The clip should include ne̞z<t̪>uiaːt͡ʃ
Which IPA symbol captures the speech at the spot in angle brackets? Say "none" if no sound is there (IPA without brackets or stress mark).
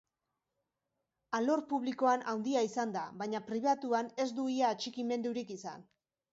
d̪